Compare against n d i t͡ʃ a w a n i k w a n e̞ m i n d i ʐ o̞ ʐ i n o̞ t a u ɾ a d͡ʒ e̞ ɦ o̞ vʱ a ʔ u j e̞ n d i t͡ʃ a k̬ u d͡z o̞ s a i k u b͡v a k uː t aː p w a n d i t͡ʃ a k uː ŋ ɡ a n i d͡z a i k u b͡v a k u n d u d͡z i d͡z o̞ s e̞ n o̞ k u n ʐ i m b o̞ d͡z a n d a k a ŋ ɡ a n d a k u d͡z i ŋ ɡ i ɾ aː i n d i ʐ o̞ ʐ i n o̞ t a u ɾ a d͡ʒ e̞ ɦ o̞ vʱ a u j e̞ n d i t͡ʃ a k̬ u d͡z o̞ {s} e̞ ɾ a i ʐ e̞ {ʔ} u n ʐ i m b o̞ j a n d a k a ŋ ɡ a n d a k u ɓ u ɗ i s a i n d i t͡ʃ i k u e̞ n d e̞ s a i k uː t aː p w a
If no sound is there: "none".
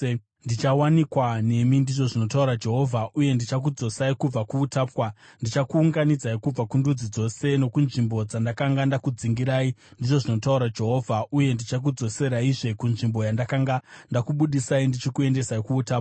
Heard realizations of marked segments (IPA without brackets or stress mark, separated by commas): s, k